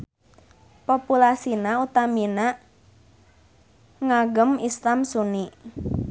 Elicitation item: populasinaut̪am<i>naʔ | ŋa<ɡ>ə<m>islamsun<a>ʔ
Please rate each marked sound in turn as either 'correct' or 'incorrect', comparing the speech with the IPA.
correct, correct, correct, incorrect

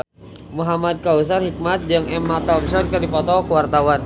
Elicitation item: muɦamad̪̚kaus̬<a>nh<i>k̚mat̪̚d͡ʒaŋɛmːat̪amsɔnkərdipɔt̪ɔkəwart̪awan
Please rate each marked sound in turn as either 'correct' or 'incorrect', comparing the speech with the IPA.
correct, correct

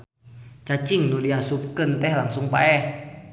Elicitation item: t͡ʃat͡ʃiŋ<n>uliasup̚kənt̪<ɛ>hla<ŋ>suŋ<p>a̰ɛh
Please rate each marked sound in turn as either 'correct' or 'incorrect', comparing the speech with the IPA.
correct, correct, correct, correct

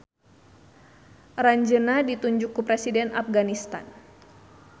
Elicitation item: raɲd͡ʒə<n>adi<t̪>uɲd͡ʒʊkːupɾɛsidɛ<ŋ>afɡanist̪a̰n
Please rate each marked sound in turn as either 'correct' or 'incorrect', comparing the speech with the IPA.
correct, correct, incorrect

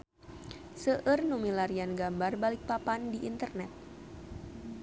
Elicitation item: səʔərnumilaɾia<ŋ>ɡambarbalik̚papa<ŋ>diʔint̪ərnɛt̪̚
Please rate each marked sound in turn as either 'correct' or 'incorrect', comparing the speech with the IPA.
incorrect, incorrect

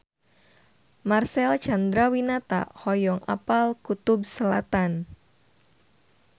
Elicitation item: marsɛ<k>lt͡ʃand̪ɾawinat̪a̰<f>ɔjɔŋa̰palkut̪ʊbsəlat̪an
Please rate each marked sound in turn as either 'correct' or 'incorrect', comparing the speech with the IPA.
incorrect, incorrect

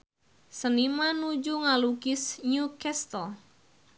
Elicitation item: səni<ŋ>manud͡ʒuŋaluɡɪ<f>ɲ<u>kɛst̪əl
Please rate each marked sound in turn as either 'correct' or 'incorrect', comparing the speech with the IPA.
incorrect, incorrect, correct

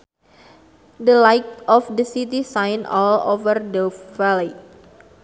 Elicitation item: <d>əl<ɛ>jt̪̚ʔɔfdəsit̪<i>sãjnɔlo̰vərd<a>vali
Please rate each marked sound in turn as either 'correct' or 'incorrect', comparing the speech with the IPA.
correct, incorrect, correct, incorrect

